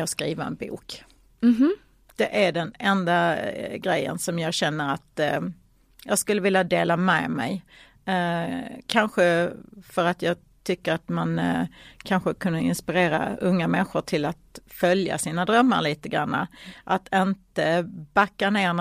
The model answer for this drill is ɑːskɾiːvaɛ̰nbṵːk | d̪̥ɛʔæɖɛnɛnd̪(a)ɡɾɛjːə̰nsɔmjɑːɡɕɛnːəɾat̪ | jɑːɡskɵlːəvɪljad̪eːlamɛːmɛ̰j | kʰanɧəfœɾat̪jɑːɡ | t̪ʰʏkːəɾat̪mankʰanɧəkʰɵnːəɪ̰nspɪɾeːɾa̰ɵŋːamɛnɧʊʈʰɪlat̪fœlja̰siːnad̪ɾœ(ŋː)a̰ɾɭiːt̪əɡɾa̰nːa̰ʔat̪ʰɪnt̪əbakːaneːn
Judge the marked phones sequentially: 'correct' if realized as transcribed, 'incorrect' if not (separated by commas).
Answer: correct, incorrect